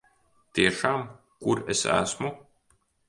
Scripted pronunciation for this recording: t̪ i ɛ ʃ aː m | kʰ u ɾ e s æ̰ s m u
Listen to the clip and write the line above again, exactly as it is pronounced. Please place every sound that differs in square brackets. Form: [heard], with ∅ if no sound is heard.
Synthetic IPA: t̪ i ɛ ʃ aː m | [k] u ɾ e s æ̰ s m u